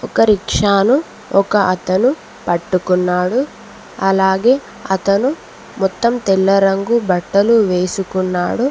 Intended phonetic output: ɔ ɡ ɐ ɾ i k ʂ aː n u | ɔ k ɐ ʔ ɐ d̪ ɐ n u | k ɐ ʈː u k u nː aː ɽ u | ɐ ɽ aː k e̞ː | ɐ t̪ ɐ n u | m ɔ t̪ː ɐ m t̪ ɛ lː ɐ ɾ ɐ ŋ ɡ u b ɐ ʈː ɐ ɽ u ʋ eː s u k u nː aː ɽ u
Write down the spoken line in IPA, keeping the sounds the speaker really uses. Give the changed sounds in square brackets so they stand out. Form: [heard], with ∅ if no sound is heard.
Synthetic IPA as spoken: ɔ [k] ɐ ɾ i k ʂ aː n u | ɔ k ɐ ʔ ɐ [t̪] ɐ n u | [p] ɐ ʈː u k u nː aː ɽ u | ɐ [l] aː [ɡ] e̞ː | ɐ t̪ ɐ n u | m ɔ t̪ː ɐ m t̪ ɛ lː ɐ ɾ ɐ ŋ ɡ u b ɐ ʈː ɐ [l] u ʋ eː s u k u nː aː ɽ u